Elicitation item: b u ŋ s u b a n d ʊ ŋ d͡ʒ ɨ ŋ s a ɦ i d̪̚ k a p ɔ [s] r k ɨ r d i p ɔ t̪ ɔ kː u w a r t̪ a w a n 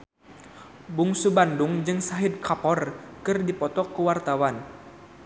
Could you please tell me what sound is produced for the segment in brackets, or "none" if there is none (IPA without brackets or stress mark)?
none